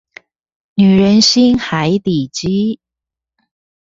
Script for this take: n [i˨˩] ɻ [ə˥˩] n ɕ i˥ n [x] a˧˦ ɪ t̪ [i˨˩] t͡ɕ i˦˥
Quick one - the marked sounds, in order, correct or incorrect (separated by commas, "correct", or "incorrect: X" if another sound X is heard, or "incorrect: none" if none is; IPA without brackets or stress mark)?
incorrect: y˨˩, incorrect: ə˧˦, correct, correct